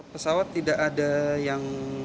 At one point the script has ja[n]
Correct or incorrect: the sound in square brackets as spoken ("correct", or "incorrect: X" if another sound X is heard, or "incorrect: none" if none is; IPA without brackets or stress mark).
incorrect: ŋ